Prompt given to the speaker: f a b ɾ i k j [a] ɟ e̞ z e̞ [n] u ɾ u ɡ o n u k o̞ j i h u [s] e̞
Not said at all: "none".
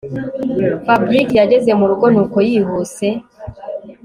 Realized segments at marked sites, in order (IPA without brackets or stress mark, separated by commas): a, m, s